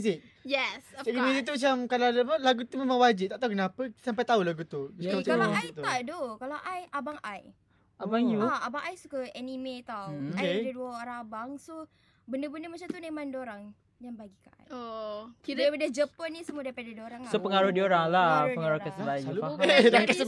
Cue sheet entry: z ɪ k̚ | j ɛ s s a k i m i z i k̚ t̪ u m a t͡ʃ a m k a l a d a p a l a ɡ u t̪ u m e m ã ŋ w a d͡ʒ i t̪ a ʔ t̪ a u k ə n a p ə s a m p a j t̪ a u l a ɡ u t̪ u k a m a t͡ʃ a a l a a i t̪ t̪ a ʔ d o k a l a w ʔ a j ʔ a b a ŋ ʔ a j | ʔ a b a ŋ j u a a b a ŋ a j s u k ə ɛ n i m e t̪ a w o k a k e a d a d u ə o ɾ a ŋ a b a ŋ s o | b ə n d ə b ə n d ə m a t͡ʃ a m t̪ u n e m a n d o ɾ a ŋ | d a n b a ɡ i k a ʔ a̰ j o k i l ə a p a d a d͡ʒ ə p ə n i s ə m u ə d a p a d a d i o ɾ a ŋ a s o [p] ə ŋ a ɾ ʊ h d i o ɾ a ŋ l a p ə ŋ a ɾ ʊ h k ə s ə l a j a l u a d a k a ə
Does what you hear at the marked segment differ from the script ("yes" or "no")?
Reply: no